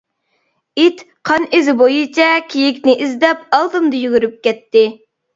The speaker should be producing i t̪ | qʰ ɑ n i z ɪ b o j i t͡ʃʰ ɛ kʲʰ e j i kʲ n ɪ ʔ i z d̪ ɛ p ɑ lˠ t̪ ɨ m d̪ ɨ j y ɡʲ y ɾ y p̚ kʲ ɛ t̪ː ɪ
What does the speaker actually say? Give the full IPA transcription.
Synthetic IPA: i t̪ | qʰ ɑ n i z ɪ b o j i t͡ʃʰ ɛ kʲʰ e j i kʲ n ɪ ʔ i z d̪ ɛ p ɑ lˠ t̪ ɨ m d̪ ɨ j y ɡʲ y ɾ y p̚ kʲ ɛ t̪ː ɪ